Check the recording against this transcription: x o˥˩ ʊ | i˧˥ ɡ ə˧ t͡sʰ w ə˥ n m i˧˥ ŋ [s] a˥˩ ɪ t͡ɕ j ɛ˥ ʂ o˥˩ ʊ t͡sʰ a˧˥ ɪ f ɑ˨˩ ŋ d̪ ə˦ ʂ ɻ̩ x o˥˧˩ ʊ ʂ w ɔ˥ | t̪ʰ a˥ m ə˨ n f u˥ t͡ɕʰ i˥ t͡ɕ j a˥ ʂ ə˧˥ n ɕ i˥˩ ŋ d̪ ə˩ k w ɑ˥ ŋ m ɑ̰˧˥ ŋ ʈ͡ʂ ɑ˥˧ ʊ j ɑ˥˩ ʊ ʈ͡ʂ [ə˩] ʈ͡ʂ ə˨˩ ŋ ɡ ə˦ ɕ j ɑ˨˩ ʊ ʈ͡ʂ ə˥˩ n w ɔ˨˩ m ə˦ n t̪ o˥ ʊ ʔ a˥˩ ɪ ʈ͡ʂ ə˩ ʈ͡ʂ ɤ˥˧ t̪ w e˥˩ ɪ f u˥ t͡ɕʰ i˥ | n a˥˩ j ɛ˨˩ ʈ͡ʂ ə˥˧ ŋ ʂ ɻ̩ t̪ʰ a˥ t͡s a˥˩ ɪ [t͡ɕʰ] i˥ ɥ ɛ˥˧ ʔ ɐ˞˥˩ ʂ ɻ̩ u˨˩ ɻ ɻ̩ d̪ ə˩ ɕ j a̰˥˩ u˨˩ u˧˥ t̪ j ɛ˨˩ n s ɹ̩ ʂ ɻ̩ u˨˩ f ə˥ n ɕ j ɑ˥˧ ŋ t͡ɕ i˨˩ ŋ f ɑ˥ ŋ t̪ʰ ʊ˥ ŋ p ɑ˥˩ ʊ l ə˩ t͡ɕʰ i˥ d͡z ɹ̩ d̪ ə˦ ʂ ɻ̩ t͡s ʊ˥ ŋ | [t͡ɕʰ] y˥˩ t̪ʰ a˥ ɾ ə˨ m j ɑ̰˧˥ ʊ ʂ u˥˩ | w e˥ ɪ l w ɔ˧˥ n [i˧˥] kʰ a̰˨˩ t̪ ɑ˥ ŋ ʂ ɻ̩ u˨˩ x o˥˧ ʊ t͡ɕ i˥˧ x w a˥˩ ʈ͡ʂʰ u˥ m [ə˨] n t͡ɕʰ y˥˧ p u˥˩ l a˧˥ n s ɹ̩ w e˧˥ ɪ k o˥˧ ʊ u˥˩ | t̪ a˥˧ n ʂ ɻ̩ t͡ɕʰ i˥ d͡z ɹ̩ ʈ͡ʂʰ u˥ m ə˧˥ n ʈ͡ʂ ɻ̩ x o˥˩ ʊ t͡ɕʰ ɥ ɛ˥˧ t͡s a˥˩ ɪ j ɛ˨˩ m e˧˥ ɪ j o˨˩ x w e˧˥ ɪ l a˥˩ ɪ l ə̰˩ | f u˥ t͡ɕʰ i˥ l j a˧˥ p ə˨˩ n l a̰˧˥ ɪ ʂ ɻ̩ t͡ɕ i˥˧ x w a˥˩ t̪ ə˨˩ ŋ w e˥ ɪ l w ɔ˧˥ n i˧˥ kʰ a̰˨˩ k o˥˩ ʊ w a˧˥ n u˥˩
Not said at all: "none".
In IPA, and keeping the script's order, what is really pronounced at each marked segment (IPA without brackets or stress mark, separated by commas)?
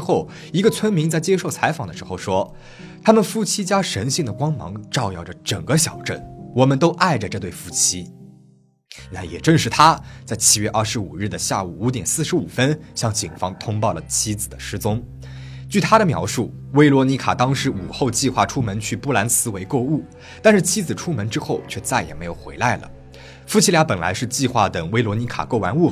t͡s, ə˩, t͡ɕʰ, t͡ɕ, i˧˥, ə˧˥